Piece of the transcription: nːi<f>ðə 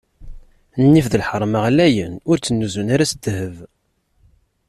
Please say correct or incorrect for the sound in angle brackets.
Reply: correct